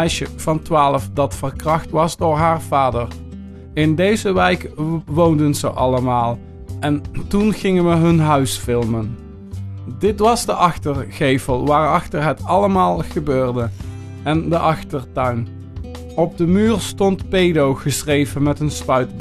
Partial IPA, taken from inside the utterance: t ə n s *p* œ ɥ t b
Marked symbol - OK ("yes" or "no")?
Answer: yes